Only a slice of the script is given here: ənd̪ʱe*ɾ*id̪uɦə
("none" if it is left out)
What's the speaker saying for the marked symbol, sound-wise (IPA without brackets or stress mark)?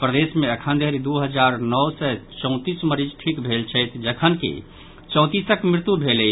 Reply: ɾ